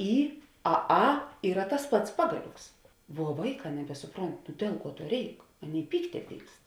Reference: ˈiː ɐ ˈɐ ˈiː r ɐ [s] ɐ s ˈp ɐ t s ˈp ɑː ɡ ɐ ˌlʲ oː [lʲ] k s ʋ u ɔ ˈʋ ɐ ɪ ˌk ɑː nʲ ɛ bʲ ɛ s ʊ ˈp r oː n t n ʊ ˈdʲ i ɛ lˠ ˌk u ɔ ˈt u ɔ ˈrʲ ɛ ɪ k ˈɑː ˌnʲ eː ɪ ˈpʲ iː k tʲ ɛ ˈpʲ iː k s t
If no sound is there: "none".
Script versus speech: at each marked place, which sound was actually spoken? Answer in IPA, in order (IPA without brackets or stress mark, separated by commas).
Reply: t, none